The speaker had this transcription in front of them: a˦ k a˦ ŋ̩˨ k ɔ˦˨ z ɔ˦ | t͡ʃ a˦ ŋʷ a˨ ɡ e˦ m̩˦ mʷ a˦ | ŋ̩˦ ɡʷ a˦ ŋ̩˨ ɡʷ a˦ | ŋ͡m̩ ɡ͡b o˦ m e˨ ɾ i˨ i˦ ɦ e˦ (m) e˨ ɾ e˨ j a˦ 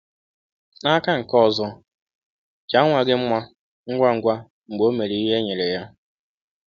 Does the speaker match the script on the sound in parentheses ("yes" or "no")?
no